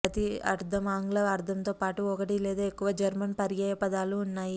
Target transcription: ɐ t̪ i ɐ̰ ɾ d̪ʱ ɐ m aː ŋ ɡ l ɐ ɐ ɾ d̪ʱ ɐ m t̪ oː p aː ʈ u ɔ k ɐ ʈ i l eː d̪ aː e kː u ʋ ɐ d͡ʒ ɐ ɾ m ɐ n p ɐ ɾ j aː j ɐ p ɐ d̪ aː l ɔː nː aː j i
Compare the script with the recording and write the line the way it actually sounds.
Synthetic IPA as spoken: ɐ t̪ i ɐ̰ ɾ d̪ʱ ɐ m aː ŋ ɡ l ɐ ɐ ɾ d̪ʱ ɐ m t̪ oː p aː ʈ u ɔ k ɐ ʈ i l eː d̪ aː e kː u ʋ ɐ d͡ʒ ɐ ɾ m ɐ n p ɐ ɾ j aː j ɐ p ɐ d̪ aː l uː nː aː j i